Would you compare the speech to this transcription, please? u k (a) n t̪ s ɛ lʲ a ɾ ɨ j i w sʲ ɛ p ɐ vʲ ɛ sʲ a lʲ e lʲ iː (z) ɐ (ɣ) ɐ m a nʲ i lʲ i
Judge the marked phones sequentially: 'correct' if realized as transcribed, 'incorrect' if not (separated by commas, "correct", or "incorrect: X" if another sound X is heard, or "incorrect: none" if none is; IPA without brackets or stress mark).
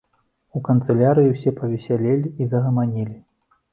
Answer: incorrect: ɐ, correct, correct